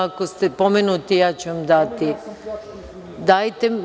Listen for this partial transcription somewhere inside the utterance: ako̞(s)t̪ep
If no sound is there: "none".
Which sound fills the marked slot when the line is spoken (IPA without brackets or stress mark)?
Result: s